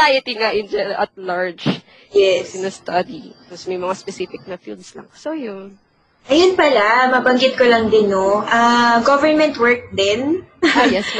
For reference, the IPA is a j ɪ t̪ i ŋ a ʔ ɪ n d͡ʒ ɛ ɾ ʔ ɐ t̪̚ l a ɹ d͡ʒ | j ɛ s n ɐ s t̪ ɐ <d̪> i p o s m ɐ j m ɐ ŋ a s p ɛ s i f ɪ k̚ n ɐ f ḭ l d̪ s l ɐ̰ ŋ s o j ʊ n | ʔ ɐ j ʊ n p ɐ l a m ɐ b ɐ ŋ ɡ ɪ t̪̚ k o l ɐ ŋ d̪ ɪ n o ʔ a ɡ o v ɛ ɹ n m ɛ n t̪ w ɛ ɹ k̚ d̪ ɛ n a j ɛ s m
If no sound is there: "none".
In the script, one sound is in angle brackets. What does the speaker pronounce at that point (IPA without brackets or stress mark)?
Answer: d̪